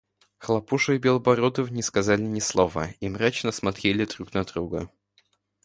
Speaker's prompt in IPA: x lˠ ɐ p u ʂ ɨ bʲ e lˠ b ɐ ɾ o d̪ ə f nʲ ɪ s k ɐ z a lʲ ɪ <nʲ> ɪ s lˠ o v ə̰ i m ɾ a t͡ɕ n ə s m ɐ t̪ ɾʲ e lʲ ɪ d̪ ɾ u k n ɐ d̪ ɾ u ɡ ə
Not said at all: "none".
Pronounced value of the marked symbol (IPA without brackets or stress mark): nʲ